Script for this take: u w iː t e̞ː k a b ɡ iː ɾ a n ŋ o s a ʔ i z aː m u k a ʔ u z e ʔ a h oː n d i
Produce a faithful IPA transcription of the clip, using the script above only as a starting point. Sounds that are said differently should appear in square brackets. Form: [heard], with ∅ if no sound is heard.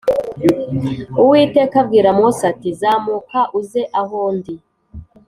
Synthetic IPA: u w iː t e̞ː k a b ɡ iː ɾ a [m] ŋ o s a [t] i z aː m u k a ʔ u z e ʔ a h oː n d i